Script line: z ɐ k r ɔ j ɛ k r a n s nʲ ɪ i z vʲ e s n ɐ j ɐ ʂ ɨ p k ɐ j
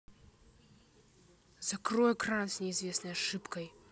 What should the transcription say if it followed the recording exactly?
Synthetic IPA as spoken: z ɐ k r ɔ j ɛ k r a n s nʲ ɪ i z vʲ e s n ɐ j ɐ ʂ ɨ p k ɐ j